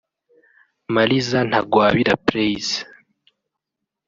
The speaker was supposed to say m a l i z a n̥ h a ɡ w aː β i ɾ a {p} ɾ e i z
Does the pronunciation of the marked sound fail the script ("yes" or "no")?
no